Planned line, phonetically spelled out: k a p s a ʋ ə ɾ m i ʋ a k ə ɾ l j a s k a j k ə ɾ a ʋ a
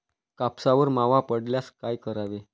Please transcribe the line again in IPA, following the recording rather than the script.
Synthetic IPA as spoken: k a p s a ʋ ə ɾ m a ʋ a p ə ɽ l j a s k a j k ə ɾ a ʋ e